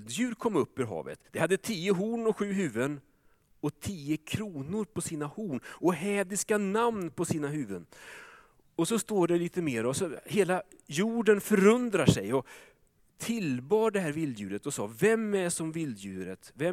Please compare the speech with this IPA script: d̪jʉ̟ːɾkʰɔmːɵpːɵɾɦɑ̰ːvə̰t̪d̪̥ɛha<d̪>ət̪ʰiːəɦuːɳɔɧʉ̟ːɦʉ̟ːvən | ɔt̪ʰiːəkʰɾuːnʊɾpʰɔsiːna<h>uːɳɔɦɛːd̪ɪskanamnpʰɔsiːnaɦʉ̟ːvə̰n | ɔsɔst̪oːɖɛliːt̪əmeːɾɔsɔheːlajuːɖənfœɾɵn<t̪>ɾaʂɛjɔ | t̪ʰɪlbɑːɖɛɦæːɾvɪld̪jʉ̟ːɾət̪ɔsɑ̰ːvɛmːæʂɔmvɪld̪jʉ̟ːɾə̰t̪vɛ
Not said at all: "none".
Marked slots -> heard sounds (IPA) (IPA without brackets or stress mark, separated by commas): d̪ː, h, d̪